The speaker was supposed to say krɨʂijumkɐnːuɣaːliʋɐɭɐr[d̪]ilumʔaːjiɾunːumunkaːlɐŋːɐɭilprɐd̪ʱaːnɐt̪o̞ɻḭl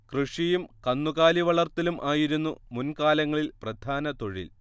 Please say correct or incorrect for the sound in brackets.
incorrect